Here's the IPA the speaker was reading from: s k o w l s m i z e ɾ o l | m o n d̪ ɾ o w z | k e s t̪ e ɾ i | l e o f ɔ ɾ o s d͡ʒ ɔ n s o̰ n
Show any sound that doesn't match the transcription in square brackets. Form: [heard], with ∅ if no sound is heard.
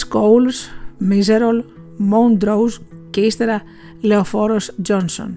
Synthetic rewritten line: s k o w l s m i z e ɾ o l | m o n d̪ ɾ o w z | k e s t̪ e ɾ [a] | l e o f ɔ ɾ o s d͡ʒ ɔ n s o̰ n